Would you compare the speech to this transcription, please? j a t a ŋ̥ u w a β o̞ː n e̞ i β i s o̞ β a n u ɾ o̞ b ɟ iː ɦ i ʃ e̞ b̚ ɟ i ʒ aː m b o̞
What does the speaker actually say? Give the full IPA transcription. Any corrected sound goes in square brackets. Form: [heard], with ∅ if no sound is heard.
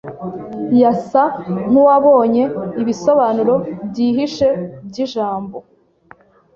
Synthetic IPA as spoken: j a [s] a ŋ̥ u w a β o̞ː [ɲ] e̞ i β i s o̞ β a n u ɾ o̞ b ɟ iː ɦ i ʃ e̞ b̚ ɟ i ʒ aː m b o̞